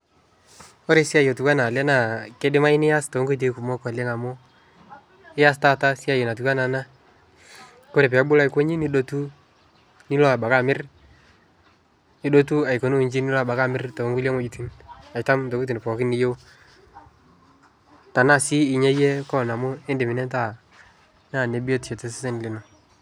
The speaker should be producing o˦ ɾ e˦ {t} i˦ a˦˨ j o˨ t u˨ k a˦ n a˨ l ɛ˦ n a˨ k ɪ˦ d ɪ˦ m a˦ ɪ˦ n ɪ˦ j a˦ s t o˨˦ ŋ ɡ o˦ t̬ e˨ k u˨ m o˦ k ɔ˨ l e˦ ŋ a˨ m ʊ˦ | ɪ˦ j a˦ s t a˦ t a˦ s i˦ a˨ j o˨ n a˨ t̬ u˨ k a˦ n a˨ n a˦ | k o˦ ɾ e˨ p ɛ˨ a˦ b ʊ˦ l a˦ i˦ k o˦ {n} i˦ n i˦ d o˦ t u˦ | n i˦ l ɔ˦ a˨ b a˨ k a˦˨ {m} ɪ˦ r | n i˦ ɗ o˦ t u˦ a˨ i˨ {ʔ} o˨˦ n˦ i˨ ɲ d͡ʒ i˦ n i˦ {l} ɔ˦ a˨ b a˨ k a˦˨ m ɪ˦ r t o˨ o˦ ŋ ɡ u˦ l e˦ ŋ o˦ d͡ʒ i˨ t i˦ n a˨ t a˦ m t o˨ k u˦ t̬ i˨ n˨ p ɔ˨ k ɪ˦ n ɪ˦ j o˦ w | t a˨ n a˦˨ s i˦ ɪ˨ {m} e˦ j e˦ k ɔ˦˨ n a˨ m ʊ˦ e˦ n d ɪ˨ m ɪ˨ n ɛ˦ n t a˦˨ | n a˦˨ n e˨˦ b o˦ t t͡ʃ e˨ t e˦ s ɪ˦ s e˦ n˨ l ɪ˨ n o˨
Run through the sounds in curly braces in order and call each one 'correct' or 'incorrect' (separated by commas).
incorrect, incorrect, correct, incorrect, correct, incorrect